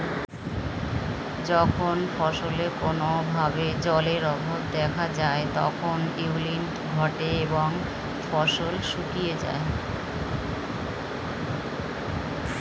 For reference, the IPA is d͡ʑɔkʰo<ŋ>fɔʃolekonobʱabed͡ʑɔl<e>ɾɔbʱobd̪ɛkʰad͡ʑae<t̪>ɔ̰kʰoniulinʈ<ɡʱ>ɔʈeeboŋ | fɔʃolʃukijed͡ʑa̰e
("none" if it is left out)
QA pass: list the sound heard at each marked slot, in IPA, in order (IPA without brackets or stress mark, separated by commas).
n, e, t̪, ɡʱ